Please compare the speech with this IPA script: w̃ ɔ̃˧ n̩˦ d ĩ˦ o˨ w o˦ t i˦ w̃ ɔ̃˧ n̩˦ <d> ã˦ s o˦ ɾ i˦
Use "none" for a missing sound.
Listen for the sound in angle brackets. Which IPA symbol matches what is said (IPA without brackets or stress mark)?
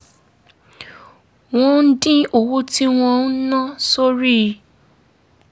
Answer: n